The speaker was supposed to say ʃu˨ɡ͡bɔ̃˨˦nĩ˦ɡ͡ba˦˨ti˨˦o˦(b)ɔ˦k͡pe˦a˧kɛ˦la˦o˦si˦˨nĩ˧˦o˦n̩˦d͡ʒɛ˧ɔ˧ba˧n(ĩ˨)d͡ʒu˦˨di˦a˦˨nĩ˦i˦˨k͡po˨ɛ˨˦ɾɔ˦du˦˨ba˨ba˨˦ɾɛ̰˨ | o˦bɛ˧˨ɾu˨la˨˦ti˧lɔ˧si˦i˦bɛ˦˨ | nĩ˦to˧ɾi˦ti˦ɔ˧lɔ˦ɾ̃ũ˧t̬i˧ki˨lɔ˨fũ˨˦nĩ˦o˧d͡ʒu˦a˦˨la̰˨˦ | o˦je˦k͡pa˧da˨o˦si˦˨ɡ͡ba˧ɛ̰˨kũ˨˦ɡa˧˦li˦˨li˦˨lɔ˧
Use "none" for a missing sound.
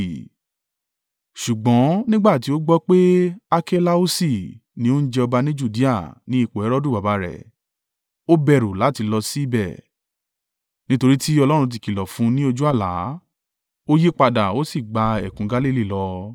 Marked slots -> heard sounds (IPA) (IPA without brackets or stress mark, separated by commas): ɡ͡b, ĩ˦